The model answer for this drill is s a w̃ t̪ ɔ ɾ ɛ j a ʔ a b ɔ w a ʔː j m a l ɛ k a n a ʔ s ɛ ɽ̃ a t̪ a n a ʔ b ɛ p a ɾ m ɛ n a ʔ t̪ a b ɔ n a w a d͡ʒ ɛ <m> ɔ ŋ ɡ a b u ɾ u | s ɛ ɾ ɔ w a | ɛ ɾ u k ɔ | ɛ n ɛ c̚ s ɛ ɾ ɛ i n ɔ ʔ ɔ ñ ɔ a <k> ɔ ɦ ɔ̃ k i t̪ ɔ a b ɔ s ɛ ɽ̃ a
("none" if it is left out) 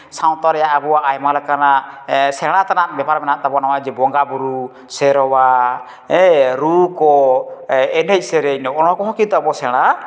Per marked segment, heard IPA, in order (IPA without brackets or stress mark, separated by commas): b, k